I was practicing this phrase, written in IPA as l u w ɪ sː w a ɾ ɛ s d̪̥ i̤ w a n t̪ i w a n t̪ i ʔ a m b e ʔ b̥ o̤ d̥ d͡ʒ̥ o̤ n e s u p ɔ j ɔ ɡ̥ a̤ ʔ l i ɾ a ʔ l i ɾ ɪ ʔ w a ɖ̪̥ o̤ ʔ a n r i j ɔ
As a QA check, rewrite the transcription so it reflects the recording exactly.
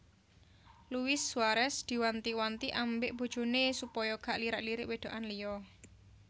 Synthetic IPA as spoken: l u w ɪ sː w a ɾ ɛ s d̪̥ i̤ w a n t̪ i w a n t̪ i ʔ a m b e ʔ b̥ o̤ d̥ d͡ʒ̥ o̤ n e s u p ɔ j ɔ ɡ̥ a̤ ʔ l i ɾ a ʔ l i ɾ ɪ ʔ w e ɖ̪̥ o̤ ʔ a n l i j ɔ